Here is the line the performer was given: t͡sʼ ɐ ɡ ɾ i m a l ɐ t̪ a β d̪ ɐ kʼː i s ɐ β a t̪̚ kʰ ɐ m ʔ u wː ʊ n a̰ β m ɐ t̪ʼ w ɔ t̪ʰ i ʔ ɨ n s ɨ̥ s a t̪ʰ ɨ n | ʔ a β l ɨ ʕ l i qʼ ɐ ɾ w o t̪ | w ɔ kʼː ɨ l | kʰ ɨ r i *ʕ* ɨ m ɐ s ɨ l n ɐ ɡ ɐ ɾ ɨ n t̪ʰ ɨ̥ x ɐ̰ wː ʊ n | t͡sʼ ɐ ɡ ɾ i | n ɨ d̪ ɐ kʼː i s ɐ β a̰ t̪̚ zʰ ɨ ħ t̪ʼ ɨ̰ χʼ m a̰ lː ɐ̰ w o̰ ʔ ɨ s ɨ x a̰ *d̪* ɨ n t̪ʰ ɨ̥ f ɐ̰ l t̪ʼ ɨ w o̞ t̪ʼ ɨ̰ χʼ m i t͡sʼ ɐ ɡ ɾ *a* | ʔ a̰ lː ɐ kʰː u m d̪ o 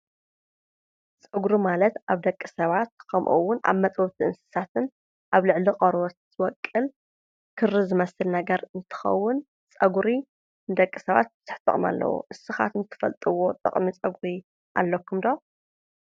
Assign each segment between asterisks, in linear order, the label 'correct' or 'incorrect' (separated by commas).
incorrect, incorrect, incorrect